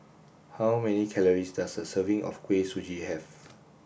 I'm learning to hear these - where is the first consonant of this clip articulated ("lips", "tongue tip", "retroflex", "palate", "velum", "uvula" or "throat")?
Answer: throat